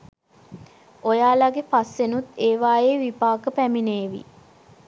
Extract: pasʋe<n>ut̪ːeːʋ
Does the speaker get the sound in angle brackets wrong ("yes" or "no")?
no